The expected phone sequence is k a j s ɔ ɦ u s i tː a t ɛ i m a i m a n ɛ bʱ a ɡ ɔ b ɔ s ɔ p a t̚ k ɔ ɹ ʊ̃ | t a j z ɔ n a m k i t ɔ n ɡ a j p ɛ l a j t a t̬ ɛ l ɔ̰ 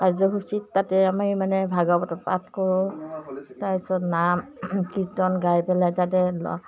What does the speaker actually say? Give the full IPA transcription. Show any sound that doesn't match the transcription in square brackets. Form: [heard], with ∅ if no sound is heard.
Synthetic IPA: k a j [z] ɔ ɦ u s i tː a t ɛ [a] m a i m a n ɛ bʱ a ɡ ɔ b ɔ [t] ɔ p a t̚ k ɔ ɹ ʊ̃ | t a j [s] ɔ n a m k i t ɔ n ɡ a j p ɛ l a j t a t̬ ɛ l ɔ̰